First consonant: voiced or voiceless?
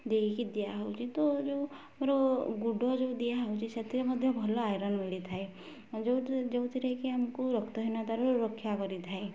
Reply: voiced